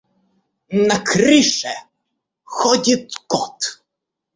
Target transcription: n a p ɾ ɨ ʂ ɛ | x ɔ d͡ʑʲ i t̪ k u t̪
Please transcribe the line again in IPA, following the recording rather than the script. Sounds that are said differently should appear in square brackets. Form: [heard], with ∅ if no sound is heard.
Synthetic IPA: n a [k] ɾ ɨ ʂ ɛ | x ɔ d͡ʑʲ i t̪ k [ɔ] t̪